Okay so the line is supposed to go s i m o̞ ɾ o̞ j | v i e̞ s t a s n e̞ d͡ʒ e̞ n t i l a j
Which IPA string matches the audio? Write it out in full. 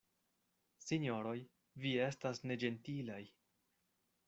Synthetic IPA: s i ɲ o̞ ɾ o̞ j | v i e̞ s t a s n e̞ d͡ʒ e̞ n t i l a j

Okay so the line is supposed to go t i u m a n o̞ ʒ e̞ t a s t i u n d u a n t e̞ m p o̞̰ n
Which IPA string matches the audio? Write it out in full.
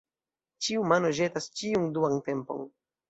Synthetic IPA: t͡ʃ i u m a n o̞ ʒ e̞ t a s t͡ʃ i u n d u a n t e̞ m p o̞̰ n

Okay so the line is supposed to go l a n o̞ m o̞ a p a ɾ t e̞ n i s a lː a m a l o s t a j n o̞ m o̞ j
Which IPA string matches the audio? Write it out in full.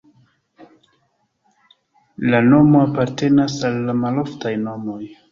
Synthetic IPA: l a n o̞ m o̞ a p a ɾ t e̞ n a s a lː a m a l o f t a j n o̞ m o̞ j

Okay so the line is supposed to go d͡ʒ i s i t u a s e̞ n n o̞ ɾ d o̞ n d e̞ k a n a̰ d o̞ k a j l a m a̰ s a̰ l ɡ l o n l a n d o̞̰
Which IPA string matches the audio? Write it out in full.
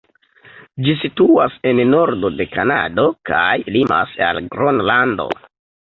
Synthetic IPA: d͡ʒ i s i t u a s e̞ n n o̞ ɾ d o̞ d e̞ k a n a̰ d o̞ k a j l i m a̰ s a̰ l ɡ ɾ o n l a n d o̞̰

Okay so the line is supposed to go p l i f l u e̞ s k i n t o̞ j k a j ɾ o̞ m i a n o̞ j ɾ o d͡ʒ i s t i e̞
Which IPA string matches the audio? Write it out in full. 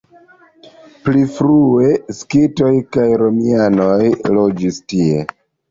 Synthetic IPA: p l i f ɾ u e̞ s k i t o̞ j k a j ɾ o̞ m i a n o̞ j l o d͡ʒ i s t i e̞

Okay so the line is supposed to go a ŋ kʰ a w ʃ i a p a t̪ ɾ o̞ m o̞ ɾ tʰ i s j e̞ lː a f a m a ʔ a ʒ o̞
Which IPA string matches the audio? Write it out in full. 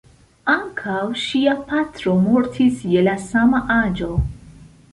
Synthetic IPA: a ŋ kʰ a w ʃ i a p a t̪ ɾ o̞ m o̞ ɾ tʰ i s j e̞ l a s a m a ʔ a d͡ʒ o̞

